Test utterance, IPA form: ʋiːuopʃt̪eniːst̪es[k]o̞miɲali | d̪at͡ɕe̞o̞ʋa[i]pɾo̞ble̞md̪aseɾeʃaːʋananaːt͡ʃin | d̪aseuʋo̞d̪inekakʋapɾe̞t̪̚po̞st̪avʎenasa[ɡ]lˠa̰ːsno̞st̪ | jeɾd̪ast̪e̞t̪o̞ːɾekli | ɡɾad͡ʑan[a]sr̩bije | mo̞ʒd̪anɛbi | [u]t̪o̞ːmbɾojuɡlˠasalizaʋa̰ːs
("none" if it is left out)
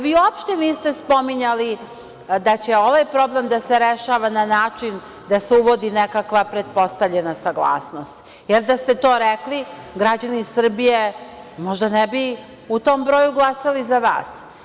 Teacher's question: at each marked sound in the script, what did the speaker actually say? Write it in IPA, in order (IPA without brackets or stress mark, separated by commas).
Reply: p, j, ɡ, i, u